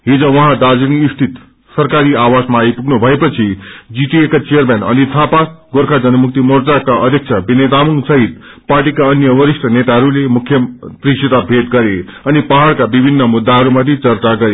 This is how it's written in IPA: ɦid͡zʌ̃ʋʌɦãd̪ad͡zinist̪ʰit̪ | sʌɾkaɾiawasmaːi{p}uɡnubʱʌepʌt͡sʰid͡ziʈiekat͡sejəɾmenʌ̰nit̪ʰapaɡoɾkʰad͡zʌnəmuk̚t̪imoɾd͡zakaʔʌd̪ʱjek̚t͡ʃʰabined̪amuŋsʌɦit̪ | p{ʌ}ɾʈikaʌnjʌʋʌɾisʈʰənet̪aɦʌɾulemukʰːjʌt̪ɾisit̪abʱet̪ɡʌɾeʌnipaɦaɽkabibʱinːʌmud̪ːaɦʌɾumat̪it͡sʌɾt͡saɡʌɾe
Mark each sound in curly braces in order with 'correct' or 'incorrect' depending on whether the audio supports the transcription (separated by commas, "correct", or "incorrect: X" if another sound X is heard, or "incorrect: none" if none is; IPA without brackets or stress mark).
correct, incorrect: a